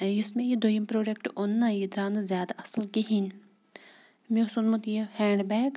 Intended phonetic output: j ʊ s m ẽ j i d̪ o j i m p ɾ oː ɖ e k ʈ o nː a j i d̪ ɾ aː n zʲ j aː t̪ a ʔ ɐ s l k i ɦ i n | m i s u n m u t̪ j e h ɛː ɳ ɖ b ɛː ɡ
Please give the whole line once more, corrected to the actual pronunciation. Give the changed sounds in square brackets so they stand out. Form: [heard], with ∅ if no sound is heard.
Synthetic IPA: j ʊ s m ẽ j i d̪ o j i m p ɾ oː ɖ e k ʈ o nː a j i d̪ ɾ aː n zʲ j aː [d̪] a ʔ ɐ s l k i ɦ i n | m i s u n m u t̪ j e h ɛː ɳ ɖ b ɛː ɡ